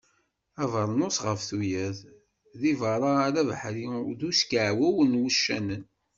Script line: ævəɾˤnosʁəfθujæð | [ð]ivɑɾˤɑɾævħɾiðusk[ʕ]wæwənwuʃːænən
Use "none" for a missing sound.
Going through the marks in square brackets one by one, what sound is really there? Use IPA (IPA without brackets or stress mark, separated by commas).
ð, ʕ